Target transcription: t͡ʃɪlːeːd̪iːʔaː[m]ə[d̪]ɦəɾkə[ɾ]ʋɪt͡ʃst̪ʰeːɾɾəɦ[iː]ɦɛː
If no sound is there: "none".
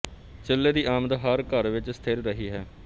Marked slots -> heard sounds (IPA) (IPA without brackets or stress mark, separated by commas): m, d̪, ɾ, iː